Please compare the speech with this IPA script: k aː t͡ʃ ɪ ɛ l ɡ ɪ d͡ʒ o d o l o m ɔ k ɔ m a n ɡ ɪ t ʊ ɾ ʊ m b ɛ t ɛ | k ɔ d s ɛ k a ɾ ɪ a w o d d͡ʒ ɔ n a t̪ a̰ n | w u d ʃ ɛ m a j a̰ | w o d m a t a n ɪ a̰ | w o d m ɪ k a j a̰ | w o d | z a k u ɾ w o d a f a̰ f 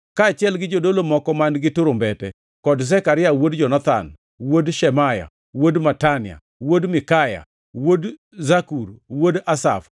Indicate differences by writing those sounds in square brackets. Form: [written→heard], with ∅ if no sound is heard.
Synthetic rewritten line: k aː t͡ʃ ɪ ɛ l ɡ ɪ d͡ʒ o d o l o m ɔ k ɔ m a n ɡ ɪ t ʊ ɾ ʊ m b ɛ t ɛ | k ɔ d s ɛ k a ɾ ɪ a w o d d͡ʒ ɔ n a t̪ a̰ n | w [u→o] d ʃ ɛ m a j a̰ | w o d m a t a n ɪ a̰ | w o d m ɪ k a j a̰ | w o d | z a k u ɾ w o d a [f→s] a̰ f